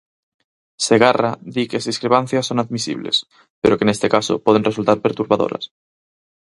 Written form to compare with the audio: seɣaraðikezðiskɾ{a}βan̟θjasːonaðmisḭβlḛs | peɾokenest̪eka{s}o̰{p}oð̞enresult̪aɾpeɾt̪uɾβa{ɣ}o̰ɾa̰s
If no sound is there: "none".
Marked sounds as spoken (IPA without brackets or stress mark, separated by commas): e, s, p, ð